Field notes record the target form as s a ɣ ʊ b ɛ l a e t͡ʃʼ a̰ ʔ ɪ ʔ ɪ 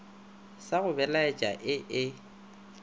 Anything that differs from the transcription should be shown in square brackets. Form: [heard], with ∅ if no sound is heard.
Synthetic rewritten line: s a ɣ ʊ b ɛ l a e t͡ʃʼ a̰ ʔ ɪ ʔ ɪ